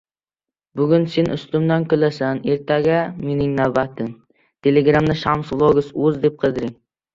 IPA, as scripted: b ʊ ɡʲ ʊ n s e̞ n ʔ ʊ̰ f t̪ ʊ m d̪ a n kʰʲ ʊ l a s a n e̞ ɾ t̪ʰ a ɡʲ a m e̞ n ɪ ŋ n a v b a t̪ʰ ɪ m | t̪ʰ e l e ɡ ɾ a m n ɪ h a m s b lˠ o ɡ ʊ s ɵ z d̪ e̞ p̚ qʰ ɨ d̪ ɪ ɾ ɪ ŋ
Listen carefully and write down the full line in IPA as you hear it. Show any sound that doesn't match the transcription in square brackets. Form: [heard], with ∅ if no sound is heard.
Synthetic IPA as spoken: b ʊ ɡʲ ʊ n s e̞ n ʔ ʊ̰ [s] t̪ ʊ m d̪ a n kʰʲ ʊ l a s a n e̞ ɾ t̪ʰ a ɡʲ a m e̞ n ɪ ŋ n a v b a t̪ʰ ɪ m | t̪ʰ e l e ɡ ɾ a m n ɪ [ʃ] a m s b lˠ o ɡ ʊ s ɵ z d̪ e̞ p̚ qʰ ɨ d̪ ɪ ɾ ɪ ŋ